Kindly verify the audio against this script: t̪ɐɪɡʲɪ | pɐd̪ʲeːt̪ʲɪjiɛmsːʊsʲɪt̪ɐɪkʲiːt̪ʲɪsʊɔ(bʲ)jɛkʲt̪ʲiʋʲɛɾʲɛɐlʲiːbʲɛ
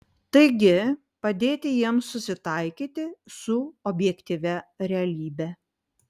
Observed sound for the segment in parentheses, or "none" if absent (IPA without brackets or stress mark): bʲ